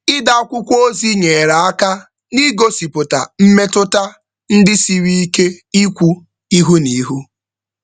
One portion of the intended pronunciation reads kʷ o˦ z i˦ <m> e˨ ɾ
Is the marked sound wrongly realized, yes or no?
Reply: yes